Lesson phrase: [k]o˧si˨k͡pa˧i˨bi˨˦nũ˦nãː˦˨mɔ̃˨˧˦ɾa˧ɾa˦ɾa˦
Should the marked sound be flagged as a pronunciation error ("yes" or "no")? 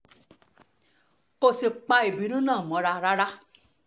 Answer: no